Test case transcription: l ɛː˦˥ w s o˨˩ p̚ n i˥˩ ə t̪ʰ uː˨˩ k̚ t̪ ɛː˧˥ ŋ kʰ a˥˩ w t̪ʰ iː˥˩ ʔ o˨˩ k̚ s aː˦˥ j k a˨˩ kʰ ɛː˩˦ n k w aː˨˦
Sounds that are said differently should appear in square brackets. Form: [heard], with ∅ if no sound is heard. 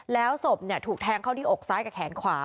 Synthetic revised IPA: l ɛː˦˥ w s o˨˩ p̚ n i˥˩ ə t̪ʰ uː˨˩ k̚ [t̪ʰ] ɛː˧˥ ŋ kʰ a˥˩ w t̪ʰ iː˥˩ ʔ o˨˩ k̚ s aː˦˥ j k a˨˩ kʰ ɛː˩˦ n [kʰ] w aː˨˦

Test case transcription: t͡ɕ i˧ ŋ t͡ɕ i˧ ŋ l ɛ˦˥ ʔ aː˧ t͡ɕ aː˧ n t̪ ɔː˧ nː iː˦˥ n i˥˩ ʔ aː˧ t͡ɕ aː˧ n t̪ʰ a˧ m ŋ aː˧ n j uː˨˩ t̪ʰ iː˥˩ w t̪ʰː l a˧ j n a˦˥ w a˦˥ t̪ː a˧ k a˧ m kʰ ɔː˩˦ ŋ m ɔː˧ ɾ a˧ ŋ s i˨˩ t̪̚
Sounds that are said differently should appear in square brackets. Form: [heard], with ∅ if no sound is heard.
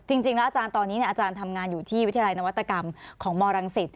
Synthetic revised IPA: t͡ɕ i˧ ŋ t͡ɕ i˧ ŋ l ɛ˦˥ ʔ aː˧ t͡ɕ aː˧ n t̪ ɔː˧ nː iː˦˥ n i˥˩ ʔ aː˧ t͡ɕ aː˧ n t̪ʰ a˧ m ŋ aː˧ n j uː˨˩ t̪ʰ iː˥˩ w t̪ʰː l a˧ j n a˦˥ w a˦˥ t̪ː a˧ k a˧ m kʰ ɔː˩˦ ŋ m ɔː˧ ɾ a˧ ŋ s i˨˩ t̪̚

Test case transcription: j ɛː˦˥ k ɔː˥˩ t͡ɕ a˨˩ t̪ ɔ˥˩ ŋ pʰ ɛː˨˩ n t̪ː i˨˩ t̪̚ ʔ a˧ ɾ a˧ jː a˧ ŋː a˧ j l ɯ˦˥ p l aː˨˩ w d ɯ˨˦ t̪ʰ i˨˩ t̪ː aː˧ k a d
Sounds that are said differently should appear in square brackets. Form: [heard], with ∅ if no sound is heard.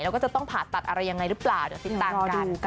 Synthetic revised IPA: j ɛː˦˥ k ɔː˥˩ t͡ɕ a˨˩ t̪ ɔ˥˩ ŋ pʰ [aː˨˩] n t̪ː [a˨˩] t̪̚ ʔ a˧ ɾ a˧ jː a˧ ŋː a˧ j [ɾ] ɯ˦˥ p l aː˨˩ w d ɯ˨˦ [t̪] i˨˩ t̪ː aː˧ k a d

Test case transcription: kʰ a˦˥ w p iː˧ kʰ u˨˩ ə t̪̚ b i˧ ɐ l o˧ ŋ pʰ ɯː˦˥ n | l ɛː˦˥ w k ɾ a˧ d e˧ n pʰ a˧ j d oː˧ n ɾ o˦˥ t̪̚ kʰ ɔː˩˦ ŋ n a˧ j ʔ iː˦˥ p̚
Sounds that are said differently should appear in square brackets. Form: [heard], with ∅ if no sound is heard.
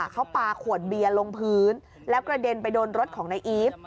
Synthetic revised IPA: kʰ a˦˥ w p [aː˧] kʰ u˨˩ ə t̪̚ b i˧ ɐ l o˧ ŋ pʰ ɯː˦˥ n | l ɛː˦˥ w k ɾ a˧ d e˧ n [p] a˧ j d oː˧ n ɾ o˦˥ t̪̚ kʰ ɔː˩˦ ŋ n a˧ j ʔ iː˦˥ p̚

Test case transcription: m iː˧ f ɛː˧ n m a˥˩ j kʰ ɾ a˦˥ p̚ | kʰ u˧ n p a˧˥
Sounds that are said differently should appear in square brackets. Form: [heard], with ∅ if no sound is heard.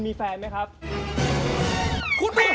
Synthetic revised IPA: m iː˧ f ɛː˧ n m [a˦˥] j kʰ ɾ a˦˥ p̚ | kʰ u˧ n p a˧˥

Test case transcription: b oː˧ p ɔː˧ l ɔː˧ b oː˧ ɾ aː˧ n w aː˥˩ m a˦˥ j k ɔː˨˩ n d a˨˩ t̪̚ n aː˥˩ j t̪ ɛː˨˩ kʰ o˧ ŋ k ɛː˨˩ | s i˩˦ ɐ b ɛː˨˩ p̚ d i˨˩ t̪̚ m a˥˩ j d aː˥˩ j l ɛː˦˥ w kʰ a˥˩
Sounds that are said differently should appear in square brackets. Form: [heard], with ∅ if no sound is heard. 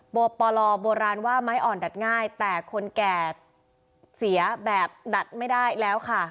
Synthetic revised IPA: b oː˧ p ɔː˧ l ɔː˧ b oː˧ ɾ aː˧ n w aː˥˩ m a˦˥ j [ʔ] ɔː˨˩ n d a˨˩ t̪̚ [ŋ] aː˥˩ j t̪ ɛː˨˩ kʰ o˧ [n] k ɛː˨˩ | s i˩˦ ɐ b ɛː˨˩ p̚ d [a˨˩] t̪̚ m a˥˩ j d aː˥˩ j l ɛː˦˥ w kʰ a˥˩

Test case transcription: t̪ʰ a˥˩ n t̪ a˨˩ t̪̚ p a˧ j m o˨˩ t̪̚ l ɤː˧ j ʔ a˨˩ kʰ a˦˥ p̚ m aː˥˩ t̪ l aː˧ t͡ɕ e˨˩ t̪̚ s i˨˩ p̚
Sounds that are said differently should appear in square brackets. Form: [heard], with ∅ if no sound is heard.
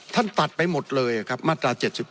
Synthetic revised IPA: t̪ʰ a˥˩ n t̪ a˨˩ t̪̚ p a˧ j m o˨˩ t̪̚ l ɤː˧ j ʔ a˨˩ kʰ a˦˥ p̚ m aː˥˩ t̪ [ɾ] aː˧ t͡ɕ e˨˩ t̪̚ s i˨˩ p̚

